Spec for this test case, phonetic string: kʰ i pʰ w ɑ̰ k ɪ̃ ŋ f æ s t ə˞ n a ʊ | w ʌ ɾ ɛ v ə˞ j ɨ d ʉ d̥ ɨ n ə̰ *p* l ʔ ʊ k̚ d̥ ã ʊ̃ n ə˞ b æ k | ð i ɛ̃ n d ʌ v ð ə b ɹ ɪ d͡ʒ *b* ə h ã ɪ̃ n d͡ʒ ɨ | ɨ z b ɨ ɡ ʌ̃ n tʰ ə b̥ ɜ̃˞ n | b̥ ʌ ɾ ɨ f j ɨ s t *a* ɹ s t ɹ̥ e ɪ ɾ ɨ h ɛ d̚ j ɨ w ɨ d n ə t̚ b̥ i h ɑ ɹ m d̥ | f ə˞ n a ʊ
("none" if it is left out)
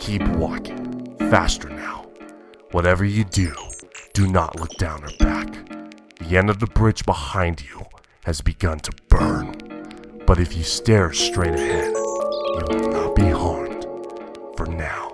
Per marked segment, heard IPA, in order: ʔ, b, ɛ

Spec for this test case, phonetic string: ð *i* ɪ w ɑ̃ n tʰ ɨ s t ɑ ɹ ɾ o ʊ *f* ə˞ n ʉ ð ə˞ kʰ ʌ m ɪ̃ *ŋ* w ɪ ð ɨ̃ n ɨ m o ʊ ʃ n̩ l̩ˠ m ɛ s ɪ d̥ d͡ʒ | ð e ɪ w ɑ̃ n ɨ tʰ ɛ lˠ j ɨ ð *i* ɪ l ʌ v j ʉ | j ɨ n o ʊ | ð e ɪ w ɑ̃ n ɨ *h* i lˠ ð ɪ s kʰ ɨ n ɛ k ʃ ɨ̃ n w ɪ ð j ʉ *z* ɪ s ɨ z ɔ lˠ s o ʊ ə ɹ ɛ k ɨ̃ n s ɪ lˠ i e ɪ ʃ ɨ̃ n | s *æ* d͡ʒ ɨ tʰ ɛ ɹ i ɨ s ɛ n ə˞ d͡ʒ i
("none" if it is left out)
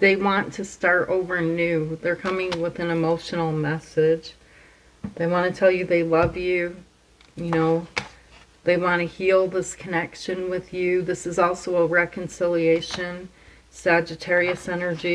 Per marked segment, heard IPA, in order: e, v, ŋ, e, h, ð, æ

